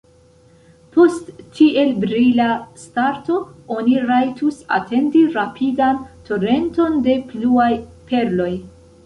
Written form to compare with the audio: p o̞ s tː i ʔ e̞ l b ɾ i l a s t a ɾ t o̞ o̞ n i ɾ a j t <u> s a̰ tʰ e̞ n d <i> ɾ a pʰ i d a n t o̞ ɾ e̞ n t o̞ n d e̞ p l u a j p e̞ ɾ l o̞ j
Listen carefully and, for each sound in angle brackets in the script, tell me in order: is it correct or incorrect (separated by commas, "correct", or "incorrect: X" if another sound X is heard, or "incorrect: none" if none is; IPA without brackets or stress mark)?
correct, correct